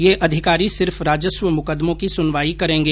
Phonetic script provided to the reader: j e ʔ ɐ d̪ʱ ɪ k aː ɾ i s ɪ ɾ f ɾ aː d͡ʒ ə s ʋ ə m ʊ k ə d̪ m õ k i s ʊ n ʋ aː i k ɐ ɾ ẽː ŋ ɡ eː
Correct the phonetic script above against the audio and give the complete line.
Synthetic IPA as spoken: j e ʔ ɐ d̪ʱ ɪ k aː ɾ i s ɪ ɾ f ɾ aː d͡ʒ ə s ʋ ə m ʊ k ə d̪ m õ k i s ʊ n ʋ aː i k ɐ ɾ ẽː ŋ ɡ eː